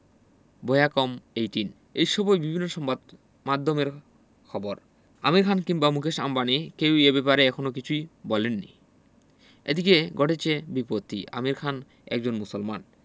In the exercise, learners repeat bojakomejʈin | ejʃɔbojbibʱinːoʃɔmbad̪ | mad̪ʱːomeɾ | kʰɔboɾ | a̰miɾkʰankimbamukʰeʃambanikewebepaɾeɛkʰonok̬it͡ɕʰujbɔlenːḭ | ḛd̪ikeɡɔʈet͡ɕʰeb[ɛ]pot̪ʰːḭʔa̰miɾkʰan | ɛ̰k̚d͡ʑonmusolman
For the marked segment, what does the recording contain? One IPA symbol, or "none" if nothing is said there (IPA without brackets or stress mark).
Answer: i